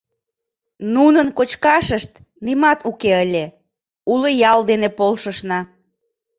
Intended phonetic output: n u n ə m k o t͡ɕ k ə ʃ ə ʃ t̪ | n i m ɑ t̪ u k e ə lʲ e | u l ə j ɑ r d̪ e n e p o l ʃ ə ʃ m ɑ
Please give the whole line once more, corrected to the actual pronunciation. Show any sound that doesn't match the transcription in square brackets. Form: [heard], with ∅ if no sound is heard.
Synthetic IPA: n u n ə [n] k o t͡ɕ k [ɑ] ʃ ə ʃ t̪ | n i m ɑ t̪ u k e ə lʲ e | u l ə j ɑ [l] d̪ e n e p o l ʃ ə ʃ [n] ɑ